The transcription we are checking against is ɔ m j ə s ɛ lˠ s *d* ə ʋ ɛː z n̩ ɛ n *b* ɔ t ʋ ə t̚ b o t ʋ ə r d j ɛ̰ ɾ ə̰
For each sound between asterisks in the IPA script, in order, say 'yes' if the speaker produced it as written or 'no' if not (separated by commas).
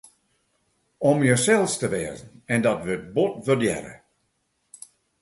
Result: no, no